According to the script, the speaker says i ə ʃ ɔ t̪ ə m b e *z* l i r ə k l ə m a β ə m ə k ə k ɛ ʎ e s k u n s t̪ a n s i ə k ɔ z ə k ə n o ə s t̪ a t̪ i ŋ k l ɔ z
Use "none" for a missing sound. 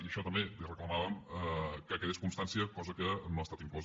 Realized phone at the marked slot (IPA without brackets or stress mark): none